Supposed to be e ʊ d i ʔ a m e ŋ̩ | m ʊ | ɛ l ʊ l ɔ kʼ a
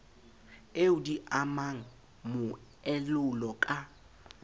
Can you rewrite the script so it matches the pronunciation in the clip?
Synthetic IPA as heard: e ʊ d i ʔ a m a ŋ̩ | m ʊ | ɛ l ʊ l ɔ kʼ a